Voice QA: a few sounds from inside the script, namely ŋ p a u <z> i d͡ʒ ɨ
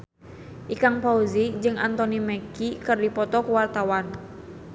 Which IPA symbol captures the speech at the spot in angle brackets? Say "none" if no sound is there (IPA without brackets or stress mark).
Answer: z